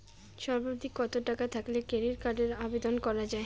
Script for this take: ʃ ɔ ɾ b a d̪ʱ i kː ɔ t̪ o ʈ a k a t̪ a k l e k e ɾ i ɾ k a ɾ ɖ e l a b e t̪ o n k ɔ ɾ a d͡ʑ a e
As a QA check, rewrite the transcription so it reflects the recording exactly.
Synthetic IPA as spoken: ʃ ɔ ɾ b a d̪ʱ i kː ɔ t̪ o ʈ a k a t̪ʰ a k l e k e ɾ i ɾ k a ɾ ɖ e ɾ a b e d̪ o n k ɔ ɾ a d͡ʑ a e

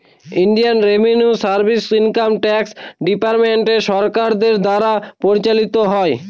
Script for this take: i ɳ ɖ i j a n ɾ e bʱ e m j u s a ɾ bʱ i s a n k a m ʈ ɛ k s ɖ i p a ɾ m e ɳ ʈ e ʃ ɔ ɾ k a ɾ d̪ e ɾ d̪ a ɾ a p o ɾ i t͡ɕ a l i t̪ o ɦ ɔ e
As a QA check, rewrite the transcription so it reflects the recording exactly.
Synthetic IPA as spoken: i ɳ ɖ i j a n ɾ e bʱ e n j u s a ɾ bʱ i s i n k a m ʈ ɛ k s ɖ i p a ɾ m e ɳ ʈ e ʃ ɔ ɾ k a ɾ d̪ e ɾ d̪ a ɾ a p o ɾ i t͡ɕ a l i t̪ o ɦ ɔ e

